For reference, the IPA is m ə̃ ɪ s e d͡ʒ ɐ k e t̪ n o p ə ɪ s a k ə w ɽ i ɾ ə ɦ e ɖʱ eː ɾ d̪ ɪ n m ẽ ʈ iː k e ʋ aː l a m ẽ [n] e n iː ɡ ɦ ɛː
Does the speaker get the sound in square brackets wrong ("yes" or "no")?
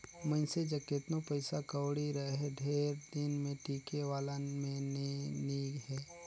no